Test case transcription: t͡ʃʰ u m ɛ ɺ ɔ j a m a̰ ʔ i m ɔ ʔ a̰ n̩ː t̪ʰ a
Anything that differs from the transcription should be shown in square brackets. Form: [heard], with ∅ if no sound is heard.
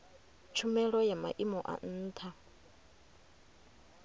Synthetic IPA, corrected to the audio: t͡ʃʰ u m ɛ ɺ ɔ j a m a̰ ʔ i m ɔ ʔ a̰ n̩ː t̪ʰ a